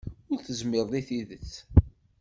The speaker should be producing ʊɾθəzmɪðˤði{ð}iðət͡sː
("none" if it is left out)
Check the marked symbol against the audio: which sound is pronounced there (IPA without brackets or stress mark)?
θ